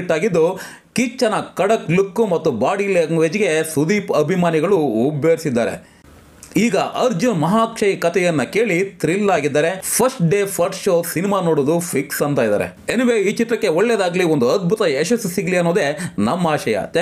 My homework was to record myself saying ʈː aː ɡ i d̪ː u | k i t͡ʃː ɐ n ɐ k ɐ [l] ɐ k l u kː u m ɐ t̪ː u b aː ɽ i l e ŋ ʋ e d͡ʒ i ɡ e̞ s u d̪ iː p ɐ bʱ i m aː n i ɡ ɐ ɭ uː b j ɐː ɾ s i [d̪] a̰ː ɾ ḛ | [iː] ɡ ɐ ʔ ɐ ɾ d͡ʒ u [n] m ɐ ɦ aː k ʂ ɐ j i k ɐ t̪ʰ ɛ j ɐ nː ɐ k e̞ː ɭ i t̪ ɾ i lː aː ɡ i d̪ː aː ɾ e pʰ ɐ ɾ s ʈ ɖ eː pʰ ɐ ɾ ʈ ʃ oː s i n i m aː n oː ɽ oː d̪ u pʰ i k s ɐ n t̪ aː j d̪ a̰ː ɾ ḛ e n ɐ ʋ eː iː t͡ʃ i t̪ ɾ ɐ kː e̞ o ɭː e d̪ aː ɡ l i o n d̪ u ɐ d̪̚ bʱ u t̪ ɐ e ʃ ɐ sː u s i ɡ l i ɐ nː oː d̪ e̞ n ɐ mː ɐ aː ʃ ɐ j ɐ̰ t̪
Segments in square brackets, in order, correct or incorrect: incorrect: ɽ, incorrect: d̪ː, correct, correct

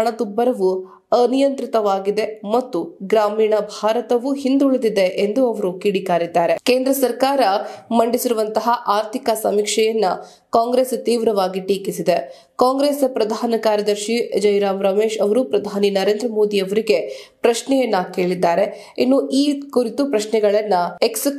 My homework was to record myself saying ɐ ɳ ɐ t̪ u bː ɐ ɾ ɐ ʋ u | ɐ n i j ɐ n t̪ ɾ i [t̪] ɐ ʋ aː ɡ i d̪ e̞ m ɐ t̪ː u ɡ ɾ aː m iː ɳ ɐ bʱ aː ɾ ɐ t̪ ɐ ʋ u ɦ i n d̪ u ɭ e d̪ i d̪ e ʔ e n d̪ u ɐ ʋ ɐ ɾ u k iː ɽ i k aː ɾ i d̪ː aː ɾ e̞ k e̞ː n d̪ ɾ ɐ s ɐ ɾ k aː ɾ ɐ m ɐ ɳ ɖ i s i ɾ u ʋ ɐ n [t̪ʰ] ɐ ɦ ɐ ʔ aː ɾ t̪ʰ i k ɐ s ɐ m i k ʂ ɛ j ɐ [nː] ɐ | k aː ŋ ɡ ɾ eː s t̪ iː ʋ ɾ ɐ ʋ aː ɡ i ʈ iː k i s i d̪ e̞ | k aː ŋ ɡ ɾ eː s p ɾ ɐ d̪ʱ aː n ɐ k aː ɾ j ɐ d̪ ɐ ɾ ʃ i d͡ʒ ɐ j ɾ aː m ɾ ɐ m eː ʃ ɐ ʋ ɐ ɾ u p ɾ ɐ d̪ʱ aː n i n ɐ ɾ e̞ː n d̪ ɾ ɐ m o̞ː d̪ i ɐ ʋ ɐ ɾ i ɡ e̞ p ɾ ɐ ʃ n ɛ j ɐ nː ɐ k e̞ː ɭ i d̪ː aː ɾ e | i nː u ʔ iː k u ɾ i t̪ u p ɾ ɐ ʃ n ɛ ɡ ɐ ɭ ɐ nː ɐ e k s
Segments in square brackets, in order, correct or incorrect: correct, incorrect: t̪, correct

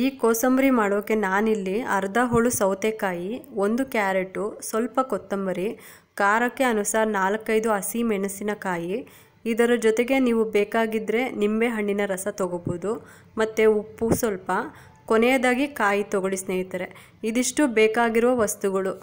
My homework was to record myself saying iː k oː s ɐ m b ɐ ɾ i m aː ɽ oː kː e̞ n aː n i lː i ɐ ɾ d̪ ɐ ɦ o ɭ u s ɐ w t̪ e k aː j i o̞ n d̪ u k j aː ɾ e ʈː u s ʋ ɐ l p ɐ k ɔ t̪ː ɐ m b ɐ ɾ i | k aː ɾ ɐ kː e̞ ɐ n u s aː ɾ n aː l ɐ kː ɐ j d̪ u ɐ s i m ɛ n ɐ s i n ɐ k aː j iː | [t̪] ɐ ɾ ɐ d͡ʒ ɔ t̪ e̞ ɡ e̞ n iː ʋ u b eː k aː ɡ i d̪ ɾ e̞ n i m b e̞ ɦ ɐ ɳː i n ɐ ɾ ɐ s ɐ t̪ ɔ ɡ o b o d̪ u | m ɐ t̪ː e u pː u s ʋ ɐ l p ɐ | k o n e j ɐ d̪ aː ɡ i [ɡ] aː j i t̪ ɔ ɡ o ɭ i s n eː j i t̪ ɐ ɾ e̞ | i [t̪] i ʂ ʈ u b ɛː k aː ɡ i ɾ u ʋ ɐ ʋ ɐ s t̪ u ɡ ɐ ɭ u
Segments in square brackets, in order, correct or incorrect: incorrect: d̪, incorrect: k, incorrect: d̪

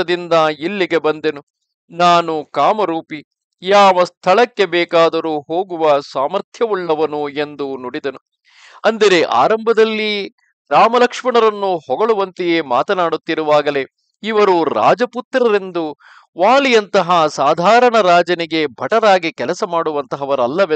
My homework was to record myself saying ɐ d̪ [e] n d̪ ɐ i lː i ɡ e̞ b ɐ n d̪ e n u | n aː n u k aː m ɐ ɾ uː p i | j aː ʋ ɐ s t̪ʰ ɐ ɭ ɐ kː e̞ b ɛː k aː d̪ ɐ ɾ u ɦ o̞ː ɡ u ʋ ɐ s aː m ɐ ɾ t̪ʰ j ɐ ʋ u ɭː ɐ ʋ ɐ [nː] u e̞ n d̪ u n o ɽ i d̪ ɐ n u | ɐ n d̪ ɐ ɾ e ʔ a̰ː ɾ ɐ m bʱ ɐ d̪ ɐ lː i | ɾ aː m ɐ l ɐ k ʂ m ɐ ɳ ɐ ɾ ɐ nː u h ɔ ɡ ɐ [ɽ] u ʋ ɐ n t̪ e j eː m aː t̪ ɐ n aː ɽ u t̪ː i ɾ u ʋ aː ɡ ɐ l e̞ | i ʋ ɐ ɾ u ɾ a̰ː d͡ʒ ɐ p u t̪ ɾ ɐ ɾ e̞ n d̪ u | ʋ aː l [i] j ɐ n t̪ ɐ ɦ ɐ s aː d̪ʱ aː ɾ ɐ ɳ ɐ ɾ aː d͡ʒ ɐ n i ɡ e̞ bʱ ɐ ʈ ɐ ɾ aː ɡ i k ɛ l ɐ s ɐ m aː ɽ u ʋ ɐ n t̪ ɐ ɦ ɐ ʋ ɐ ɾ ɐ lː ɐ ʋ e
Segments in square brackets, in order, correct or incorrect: incorrect: i, incorrect: n, incorrect: ɭ, correct

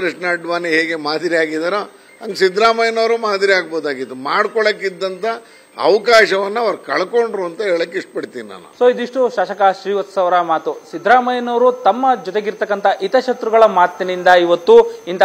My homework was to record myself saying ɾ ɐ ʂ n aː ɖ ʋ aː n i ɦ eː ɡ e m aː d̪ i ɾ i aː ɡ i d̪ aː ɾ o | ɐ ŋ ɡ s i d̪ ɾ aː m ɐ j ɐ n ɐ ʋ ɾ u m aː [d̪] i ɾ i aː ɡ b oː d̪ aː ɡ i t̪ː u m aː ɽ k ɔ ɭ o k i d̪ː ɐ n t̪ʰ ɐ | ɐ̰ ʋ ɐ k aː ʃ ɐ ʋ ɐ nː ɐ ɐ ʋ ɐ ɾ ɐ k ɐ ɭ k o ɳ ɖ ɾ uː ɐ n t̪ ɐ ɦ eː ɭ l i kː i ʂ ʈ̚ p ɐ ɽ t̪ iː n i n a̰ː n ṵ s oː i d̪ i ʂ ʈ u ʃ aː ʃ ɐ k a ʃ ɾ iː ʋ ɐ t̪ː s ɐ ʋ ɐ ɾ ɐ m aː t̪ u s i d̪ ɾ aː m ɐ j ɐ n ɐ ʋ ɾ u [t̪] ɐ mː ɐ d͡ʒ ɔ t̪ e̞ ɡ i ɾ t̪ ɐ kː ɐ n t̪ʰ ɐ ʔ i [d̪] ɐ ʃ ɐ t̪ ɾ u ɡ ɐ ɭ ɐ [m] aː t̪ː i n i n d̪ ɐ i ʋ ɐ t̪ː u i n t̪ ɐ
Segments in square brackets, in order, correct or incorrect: correct, correct, incorrect: t̪, correct

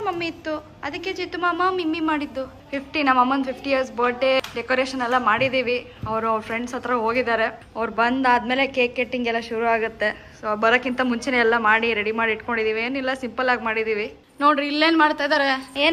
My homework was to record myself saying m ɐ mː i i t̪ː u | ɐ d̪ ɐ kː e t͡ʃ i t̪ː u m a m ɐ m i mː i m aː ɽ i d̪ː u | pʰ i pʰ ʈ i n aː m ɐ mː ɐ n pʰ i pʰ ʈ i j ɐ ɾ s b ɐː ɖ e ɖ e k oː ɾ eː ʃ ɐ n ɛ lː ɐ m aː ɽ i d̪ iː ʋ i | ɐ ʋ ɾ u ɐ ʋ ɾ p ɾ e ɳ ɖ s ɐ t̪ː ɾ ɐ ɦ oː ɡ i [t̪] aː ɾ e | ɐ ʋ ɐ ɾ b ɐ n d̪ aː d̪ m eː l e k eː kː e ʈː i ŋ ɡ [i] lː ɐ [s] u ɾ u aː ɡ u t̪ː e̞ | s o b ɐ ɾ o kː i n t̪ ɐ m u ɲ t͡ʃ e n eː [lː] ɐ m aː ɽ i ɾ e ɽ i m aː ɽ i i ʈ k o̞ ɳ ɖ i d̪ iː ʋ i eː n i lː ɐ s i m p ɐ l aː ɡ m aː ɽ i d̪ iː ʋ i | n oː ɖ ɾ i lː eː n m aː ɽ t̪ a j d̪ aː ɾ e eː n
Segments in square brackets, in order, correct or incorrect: incorrect: d̪, incorrect: ɛ, incorrect: ʃ, correct

